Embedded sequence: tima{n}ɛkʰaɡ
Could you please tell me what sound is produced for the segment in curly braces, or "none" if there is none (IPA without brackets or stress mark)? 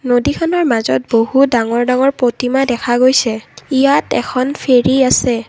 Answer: d